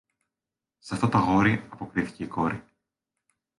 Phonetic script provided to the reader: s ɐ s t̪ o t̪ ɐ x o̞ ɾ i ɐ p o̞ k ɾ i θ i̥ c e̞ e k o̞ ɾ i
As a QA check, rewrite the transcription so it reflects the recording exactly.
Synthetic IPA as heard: s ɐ f t̪ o t̪ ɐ ɣ o̞ ɾ i ɐ p o̞ k ɾ i θ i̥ c e̞ i k o̞ ɾ i